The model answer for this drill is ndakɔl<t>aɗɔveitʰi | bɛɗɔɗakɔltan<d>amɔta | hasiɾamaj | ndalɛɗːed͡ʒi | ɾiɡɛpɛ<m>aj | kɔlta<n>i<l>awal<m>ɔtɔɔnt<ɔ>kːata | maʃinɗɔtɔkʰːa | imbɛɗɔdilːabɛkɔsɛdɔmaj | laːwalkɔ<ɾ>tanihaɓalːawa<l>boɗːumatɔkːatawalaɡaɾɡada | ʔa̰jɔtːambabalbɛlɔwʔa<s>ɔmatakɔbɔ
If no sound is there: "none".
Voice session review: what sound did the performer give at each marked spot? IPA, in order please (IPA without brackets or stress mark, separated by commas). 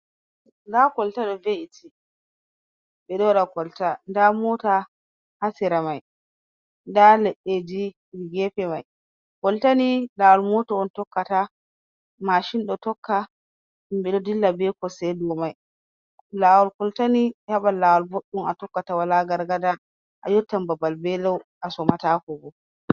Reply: t, d, m, n, l, m, ɔ, l, l, s